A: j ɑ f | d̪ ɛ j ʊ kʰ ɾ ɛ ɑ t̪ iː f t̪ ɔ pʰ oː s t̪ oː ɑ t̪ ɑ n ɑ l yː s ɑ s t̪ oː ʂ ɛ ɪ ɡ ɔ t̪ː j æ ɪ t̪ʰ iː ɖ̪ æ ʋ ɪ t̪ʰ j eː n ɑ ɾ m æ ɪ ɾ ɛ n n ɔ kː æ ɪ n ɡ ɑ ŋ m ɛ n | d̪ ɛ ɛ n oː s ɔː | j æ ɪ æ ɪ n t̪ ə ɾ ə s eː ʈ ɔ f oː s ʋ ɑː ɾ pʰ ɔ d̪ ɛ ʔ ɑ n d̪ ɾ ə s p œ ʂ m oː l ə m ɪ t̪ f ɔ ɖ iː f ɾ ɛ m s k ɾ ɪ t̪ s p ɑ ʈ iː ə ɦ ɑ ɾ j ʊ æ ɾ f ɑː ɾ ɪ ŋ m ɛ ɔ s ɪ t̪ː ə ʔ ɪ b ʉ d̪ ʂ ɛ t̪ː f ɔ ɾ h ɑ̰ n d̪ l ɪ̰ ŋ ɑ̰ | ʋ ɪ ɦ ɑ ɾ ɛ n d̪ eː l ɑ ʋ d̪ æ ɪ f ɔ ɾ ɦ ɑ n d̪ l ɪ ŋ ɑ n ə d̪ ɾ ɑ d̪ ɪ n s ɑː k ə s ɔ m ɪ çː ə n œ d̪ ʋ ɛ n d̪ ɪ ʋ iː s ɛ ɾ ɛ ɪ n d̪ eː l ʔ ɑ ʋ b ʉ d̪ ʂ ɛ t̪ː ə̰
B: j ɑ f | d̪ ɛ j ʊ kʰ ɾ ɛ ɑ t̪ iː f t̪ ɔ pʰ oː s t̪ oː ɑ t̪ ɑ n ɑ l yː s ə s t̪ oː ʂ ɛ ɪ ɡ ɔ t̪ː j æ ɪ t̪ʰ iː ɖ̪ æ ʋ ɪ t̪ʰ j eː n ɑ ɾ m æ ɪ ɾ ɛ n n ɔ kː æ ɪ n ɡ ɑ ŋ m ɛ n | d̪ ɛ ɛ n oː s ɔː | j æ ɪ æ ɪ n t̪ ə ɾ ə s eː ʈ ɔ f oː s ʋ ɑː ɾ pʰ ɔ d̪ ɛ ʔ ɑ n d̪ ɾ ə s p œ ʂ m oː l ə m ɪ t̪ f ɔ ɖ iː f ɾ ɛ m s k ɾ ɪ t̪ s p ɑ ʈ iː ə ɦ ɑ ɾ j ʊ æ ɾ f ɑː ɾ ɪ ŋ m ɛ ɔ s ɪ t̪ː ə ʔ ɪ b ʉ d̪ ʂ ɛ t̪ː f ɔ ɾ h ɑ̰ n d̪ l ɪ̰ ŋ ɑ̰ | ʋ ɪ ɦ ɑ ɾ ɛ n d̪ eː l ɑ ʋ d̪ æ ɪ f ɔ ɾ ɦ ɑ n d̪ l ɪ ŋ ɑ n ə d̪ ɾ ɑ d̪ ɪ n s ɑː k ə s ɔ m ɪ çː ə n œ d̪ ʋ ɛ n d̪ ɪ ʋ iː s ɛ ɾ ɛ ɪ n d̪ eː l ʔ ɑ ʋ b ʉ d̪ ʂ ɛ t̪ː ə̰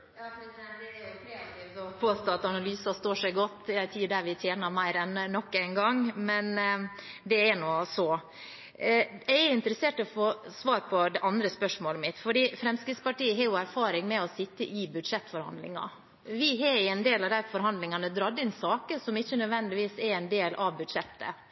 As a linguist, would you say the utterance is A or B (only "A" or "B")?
A